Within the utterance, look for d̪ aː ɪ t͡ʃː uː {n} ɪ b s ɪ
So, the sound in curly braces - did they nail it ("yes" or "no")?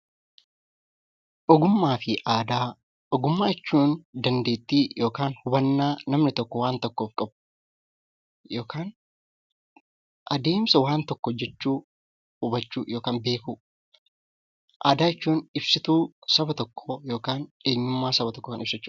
yes